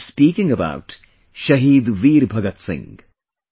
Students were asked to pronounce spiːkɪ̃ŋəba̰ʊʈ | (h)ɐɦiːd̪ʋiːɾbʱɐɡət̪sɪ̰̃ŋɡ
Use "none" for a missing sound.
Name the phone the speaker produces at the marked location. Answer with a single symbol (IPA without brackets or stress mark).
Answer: ʃ